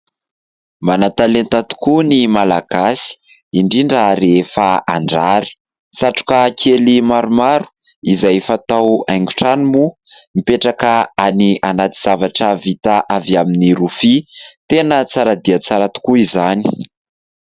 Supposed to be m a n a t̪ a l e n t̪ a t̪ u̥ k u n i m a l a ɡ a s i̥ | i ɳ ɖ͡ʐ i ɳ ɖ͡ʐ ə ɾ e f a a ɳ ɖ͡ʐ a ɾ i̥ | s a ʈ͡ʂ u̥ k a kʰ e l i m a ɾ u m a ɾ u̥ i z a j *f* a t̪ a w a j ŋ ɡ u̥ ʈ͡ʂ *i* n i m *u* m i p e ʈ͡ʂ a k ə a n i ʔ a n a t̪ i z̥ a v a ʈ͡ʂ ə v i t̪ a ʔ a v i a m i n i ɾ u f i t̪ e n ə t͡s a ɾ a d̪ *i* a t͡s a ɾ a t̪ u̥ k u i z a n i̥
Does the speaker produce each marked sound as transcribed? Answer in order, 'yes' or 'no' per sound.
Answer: yes, no, yes, yes

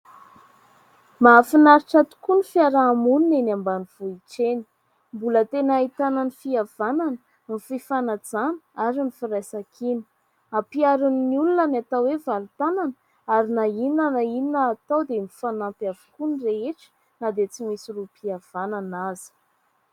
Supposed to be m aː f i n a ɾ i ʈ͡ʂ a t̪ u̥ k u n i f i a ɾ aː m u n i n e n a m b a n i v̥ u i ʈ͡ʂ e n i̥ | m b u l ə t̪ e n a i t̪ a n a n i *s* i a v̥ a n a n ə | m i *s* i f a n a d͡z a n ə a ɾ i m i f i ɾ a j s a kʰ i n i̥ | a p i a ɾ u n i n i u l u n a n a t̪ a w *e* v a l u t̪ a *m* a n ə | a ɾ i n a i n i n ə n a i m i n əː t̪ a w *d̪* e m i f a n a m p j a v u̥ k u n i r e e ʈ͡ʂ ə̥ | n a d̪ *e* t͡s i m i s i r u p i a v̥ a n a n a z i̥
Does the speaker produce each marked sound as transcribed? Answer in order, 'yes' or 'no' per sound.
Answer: no, no, yes, no, yes, yes

